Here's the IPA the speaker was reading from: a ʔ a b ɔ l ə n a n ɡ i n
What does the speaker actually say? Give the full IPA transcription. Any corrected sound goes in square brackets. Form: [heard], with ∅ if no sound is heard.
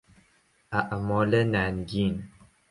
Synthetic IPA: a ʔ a [m] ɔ l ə n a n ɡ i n